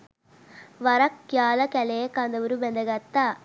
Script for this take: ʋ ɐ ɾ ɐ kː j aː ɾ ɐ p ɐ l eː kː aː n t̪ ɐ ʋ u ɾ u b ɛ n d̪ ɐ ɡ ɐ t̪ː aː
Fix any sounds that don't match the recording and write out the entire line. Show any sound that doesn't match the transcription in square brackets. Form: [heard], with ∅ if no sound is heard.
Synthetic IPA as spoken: ʋ ɐ ɾ ɐ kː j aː [l] ɐ [k] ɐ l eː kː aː n [d̪] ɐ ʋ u ɾ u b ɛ n d̪ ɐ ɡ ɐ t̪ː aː